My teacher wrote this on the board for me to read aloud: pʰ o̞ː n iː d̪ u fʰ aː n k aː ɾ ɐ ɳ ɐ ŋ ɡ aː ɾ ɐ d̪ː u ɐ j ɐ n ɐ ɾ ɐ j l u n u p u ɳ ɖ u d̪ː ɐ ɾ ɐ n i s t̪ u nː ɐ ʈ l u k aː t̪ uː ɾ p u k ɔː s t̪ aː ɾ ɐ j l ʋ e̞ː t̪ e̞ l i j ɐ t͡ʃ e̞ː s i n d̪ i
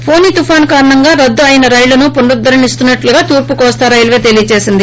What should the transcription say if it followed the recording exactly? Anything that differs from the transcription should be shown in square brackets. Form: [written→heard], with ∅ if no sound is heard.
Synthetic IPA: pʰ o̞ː n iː [d̪→t̪] u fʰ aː n k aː ɾ ɐ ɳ ɐ ŋ ɡ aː ɾ ɐ d̪ː u ɐ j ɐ n ɐ ɾ ɐ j l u n u p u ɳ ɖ u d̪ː ɐ ɾ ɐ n i s t̪ u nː ɐ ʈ l u [k→ɡ] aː t̪ uː ɾ p u k ɔː s t̪ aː ɾ ɐ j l ʋ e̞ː t̪ e̞ l i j ɐ t͡ʃ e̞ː s i n d̪ i